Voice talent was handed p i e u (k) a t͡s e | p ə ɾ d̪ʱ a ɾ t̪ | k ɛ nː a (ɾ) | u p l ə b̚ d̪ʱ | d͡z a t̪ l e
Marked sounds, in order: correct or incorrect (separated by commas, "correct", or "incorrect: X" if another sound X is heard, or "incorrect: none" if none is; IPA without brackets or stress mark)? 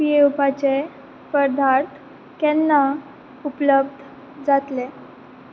incorrect: p, incorrect: none